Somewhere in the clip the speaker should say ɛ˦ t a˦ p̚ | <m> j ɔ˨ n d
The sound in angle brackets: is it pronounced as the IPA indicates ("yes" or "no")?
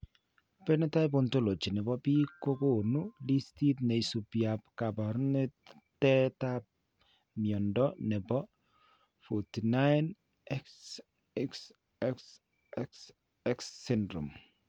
yes